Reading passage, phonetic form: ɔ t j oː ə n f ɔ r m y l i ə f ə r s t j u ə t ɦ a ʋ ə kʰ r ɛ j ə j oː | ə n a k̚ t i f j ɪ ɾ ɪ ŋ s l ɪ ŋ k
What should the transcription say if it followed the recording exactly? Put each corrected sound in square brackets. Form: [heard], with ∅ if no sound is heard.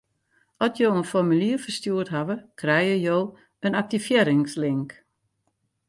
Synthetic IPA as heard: ɔ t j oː ə n f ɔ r m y l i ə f ə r s t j u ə t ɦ a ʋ ə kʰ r ɛ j ə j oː | ə n a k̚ t i f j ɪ ɾ ɪ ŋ s l ɪ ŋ k